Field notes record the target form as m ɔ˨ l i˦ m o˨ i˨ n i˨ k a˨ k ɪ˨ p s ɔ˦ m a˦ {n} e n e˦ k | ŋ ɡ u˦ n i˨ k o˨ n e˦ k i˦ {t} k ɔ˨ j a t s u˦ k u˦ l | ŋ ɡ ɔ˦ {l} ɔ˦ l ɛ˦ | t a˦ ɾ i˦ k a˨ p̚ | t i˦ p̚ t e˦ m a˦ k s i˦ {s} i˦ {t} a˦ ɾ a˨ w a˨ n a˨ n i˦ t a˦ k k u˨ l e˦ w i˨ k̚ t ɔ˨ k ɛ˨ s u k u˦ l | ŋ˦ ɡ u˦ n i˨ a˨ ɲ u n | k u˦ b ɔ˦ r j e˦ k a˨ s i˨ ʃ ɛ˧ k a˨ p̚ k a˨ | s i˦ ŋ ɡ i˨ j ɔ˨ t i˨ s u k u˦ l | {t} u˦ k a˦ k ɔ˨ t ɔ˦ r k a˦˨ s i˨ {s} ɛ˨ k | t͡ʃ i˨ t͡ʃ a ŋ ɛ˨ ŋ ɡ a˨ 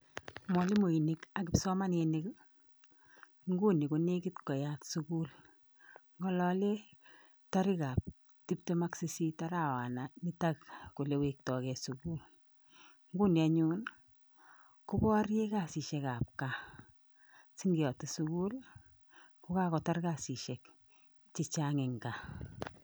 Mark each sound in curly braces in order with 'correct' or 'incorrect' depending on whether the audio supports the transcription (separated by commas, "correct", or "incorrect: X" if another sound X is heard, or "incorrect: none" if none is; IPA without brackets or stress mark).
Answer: correct, correct, correct, correct, correct, incorrect: k, incorrect: ʃ